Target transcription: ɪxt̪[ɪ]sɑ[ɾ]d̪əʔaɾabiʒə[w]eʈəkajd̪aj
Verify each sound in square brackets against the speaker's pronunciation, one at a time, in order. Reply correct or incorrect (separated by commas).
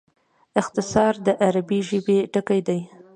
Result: correct, correct, incorrect